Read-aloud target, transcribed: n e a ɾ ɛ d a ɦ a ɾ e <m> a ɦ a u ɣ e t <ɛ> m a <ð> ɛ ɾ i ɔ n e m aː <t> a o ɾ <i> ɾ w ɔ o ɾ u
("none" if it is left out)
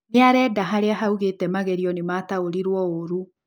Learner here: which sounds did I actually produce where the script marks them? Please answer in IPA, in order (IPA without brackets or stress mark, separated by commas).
none, ɛ, ɣ, t, i